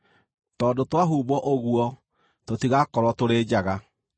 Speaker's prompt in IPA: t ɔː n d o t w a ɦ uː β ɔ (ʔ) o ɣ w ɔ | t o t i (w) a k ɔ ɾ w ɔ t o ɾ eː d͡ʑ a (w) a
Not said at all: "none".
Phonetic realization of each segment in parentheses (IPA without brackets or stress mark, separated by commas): ʔ, ɣ, ɣ